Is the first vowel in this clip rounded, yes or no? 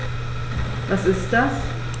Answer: no